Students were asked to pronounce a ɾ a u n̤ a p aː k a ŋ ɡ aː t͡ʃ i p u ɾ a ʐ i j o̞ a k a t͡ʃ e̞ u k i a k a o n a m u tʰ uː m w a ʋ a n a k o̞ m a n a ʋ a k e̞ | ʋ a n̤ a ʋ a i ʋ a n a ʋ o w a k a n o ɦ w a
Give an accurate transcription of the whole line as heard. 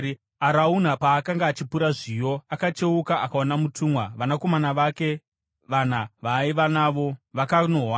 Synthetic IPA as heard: a ɾ a u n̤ a p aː k a ŋ ɡ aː t͡ʃ i p u ɾ a ʐ i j o̞ a k a t͡ʃ e̞ u k a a k a o n a m u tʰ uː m w a ʋ a n a k o̞ m a n a ʋ a k e̞ | ʋ a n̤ a ʋ a i ʋ a n a ʋ o ʋ a k a n o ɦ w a